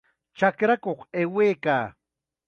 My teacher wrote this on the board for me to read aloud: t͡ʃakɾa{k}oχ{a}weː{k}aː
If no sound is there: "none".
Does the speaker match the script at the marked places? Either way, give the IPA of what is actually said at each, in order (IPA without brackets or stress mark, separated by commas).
k, e, k